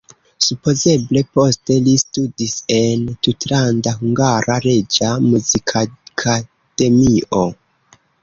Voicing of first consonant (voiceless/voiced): voiceless